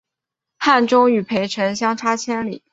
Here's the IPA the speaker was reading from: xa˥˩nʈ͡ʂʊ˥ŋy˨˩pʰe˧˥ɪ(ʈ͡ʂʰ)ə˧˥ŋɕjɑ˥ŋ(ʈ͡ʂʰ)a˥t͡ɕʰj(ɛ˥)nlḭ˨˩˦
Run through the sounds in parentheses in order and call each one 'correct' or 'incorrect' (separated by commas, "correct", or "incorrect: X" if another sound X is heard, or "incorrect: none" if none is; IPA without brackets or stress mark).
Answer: correct, correct, correct